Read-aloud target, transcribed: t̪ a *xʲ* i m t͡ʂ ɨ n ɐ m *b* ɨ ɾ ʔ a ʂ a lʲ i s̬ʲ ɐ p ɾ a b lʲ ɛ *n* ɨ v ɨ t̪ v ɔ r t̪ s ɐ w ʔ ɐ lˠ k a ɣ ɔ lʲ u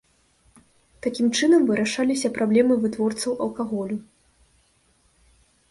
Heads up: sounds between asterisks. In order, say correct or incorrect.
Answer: incorrect, incorrect, incorrect

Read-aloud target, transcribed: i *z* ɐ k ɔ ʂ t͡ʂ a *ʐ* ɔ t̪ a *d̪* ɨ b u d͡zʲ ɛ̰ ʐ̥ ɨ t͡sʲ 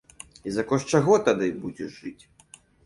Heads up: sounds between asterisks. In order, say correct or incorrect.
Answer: correct, incorrect, correct

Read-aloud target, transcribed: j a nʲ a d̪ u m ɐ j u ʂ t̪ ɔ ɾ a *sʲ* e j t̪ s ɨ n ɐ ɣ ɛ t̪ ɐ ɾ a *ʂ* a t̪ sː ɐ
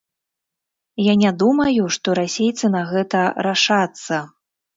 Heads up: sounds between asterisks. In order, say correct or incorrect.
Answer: correct, correct

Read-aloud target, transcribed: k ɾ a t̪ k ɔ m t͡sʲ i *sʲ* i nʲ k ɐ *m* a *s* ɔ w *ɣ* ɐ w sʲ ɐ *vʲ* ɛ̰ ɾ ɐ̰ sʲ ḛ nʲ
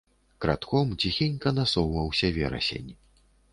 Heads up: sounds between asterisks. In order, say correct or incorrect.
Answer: incorrect, incorrect, correct, incorrect, correct

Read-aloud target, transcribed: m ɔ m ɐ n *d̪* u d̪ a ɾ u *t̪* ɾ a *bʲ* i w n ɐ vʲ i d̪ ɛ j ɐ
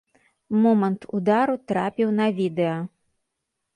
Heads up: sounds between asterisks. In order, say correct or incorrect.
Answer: incorrect, correct, incorrect

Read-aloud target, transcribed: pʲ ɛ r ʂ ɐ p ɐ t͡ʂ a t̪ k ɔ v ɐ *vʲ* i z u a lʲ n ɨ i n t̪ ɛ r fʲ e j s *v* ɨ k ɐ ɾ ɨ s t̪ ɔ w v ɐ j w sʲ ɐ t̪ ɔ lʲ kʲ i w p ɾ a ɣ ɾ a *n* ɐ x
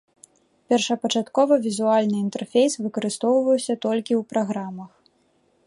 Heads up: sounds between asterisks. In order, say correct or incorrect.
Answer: correct, correct, incorrect

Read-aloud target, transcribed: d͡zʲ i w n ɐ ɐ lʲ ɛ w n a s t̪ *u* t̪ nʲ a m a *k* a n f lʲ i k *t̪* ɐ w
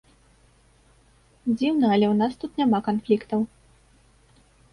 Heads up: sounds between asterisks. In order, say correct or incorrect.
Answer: correct, correct, correct

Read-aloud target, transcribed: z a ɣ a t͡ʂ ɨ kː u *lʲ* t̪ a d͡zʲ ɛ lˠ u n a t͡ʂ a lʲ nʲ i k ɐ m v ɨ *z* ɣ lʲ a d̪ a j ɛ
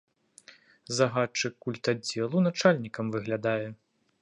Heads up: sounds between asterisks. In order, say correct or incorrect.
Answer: correct, incorrect

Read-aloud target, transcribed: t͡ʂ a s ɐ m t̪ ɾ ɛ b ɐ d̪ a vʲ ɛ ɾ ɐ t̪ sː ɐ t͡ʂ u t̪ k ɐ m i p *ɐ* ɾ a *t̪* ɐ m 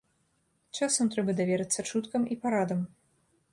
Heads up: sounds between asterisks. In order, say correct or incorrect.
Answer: incorrect, incorrect

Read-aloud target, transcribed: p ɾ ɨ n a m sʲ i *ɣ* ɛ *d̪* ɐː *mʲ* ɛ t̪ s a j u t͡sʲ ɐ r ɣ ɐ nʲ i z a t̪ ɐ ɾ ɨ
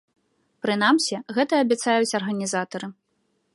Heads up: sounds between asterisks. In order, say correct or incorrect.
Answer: correct, incorrect, incorrect

